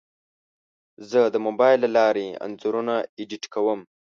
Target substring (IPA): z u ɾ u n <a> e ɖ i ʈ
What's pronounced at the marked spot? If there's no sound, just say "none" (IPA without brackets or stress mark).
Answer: a